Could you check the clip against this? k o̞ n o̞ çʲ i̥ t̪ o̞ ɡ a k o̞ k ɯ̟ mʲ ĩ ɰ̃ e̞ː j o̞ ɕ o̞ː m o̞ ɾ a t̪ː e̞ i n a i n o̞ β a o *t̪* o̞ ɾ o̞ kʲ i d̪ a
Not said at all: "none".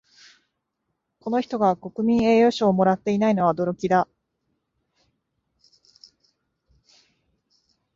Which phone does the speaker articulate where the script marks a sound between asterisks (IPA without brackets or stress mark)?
d̪